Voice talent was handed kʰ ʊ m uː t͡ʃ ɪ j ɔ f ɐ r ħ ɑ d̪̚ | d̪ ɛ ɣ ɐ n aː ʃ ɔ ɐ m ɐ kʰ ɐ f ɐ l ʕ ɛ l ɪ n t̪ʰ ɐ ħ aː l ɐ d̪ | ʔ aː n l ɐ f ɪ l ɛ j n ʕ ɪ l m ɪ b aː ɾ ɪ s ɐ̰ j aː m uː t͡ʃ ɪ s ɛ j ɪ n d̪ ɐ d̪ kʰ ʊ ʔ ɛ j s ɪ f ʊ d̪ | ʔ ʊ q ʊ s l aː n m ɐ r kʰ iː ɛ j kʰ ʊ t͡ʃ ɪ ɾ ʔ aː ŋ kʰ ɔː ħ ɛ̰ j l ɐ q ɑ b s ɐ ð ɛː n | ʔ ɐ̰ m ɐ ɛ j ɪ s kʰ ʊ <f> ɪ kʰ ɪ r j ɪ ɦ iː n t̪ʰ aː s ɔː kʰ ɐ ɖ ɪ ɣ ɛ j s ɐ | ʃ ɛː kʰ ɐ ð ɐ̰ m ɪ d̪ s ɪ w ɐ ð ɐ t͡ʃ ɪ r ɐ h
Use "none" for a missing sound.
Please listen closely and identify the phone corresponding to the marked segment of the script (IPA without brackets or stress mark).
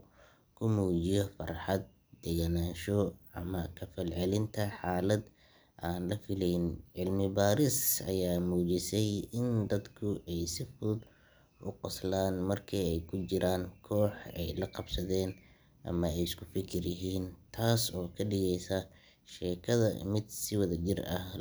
f